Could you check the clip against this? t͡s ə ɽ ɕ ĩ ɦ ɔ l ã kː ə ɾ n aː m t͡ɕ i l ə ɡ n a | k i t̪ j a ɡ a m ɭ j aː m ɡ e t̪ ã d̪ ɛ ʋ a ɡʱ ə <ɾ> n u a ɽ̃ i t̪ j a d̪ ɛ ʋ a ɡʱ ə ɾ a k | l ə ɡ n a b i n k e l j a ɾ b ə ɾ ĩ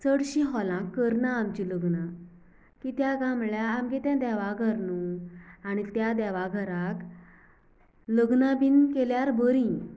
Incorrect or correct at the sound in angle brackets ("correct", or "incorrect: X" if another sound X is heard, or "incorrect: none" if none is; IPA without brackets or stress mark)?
correct